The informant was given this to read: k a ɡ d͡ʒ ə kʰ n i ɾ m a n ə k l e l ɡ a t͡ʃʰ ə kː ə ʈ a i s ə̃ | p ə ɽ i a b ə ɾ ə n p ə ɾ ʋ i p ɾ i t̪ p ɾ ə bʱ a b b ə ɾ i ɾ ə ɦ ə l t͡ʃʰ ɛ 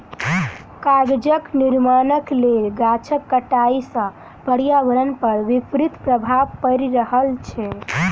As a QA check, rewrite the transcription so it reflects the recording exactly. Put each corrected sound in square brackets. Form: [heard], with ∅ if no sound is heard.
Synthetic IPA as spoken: k a ɡ d͡ʒ ə [k] n i ɾ m a n ə k l e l ɡ a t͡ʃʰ ə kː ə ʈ a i s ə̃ | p ə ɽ [j] a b ə ɾ ə n p ə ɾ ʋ i p ɾ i t̪ p ɾ ə bʱ a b [p] ə ɾ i ɾ ə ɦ ə l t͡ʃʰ ɛ